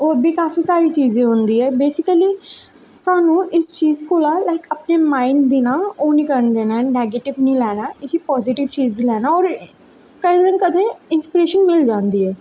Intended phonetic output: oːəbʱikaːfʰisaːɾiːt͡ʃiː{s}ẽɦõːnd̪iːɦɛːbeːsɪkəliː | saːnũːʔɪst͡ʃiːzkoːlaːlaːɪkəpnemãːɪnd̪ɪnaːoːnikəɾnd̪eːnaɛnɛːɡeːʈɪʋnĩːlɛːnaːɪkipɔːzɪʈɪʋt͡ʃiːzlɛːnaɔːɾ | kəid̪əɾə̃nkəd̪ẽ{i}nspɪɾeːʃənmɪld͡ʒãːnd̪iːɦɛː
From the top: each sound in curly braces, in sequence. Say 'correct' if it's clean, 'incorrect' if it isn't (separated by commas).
incorrect, incorrect